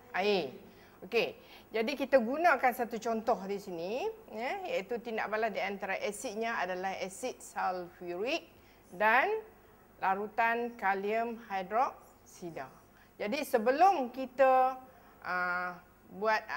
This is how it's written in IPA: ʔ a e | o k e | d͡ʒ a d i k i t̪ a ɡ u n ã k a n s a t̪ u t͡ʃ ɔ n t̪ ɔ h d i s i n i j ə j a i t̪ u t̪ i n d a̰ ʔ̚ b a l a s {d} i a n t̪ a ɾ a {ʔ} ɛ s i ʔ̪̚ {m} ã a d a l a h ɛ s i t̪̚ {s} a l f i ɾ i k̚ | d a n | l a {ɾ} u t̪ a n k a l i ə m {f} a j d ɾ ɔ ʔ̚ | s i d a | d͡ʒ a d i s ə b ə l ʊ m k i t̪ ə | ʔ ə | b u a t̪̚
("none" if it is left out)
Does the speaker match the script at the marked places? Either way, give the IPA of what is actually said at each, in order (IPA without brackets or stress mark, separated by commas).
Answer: d, ʔ, ɲ, s, ɾ, h